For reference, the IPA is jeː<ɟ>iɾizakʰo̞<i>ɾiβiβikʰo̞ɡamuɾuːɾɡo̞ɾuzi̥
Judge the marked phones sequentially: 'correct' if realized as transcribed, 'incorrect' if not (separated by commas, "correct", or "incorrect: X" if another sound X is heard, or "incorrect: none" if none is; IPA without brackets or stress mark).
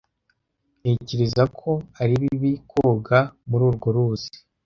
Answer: incorrect: c, incorrect: a